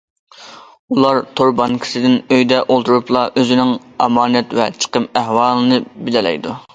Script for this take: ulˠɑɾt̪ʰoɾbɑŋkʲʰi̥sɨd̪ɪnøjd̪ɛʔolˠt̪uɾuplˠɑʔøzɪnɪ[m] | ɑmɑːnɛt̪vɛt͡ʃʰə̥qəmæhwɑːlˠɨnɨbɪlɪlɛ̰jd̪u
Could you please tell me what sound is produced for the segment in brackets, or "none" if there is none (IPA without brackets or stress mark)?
ŋ